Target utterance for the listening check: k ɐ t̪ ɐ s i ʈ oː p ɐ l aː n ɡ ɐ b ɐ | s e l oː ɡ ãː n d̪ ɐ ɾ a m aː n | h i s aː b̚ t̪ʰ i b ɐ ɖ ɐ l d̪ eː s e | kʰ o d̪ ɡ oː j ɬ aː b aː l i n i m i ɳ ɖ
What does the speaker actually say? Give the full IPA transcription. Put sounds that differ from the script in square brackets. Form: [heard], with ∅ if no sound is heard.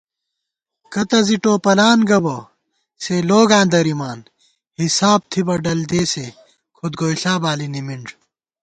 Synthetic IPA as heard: k ɐ t̪ ɐ [z] i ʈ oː p ɐ l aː n ɡ ɐ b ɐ | s e l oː ɡ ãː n d̪ ɐ ɾ [i] m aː n | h i s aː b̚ t̪ʰ i b ɐ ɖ ɐ l d̪ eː s e | kʰ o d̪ ɡ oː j ɬ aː b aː l i n i m i ɳ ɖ